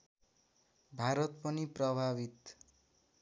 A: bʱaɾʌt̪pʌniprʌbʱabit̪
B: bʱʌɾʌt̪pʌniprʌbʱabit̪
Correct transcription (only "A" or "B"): A